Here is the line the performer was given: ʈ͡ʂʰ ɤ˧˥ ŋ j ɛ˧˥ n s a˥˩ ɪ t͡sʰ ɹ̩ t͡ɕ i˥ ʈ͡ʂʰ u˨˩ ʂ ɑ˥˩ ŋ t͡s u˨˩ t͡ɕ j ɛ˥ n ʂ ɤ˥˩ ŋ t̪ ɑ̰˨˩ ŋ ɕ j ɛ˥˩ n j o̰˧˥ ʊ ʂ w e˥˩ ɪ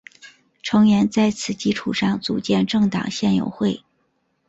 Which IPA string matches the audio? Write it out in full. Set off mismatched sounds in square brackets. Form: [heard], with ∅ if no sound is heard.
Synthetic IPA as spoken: ʈ͡ʂʰ ɤ˧˥ ŋ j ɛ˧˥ n [t͡s] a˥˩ ɪ t͡sʰ ɹ̩ t͡ɕ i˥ ʈ͡ʂʰ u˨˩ ʂ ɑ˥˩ ŋ t͡s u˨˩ t͡ɕ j [ɛ˥˧] n [ʈ͡ʂ] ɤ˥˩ ŋ t̪ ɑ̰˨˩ ŋ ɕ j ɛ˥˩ n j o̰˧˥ ʊ [x] w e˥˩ ɪ